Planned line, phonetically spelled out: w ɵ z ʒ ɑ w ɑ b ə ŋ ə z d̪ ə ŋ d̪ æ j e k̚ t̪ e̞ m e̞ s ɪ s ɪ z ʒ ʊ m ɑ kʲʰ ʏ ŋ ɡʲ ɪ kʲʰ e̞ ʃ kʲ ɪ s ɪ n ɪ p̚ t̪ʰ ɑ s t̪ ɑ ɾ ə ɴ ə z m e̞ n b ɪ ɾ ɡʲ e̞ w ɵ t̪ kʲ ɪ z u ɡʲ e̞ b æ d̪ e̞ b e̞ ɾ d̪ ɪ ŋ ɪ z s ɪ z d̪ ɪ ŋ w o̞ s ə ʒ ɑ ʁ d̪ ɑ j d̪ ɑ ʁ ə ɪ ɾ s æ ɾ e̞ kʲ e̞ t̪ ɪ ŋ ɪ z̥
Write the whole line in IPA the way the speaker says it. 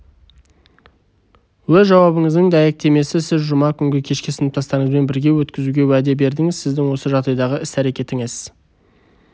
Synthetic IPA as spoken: w ɵ z ʒ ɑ w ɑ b ə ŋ ə z d̪ ə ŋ d̪ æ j e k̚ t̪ e̞ m e̞ s ɪ s ɪ z ʒ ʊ m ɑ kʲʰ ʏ ŋ ɡʲ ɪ kʲʰ e̞ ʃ kʲ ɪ s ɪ n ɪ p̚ t̪ʰ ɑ s t̪ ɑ ɾ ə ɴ ə z m e̞ n b ɪ ɾ ɡʲ e̞ w ɵ t̪ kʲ ɪ z u ɡʲ e̞ w æ d̪ e̞ b e̞ ɾ d̪ ɪ ŋ ɪ z s ɪ z d̪ ɪ ŋ w o̞ s ə ʒ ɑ ʁ d̪ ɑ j d̪ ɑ ʁ ə ɪ s æ ɾ e̞ kʲ e̞ t̪ ɪ ŋ ɪ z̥